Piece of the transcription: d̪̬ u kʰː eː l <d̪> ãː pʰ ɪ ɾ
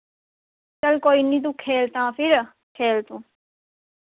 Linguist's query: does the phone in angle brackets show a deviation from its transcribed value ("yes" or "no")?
yes